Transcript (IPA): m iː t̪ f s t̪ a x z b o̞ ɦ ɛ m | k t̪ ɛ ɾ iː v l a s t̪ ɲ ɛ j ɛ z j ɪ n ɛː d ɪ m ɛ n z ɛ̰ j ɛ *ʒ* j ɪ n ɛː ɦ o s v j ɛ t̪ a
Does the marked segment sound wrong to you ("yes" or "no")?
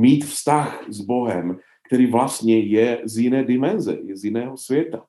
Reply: yes